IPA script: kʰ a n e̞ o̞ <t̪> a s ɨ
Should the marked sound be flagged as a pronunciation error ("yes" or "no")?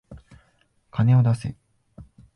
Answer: yes